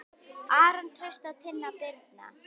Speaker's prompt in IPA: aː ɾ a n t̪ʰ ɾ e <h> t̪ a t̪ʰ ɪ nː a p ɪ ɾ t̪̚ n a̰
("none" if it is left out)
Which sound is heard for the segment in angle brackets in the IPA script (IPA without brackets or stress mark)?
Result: s